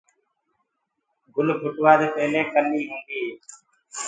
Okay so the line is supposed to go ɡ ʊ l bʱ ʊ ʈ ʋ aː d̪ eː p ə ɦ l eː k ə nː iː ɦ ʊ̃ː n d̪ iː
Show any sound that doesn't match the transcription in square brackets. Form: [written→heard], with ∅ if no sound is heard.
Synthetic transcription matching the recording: ɡ ʊ l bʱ ʊ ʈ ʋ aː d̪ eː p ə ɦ l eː k ə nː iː ɦ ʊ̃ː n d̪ iː